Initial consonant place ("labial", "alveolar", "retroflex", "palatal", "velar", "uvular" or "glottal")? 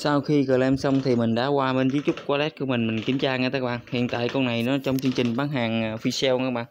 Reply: alveolar